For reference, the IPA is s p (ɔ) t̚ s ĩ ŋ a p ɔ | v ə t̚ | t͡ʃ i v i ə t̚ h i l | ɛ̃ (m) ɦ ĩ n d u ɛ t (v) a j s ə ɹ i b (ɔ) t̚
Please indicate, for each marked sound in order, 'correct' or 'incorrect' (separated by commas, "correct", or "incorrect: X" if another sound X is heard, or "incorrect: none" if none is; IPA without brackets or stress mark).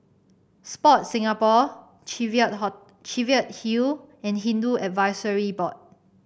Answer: correct, incorrect: n, correct, correct